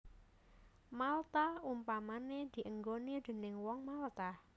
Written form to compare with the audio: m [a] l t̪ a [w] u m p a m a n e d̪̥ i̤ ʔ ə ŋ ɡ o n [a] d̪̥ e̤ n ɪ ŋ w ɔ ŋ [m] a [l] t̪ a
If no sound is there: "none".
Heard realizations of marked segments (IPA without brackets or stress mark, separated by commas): a, none, i, m, l